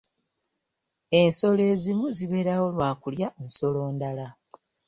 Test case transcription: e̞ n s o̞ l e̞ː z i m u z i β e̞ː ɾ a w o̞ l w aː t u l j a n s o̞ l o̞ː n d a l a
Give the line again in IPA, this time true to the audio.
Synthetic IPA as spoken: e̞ n s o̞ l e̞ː z i m u z i β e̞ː ɾ a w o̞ l w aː k u l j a n s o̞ l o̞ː n d a l a